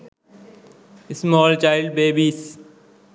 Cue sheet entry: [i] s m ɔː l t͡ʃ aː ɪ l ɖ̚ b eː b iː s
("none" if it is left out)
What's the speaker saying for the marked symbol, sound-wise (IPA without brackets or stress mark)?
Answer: ɪ